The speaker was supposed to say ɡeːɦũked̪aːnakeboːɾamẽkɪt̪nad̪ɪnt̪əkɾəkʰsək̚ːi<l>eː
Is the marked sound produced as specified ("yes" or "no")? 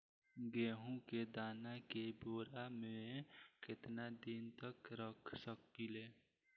yes